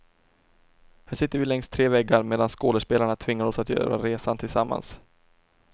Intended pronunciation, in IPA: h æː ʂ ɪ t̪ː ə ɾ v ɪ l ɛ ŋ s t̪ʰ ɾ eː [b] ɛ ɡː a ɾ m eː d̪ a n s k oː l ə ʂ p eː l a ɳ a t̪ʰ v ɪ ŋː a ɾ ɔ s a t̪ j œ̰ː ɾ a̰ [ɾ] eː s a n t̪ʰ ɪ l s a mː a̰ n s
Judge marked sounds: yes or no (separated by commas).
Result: no, yes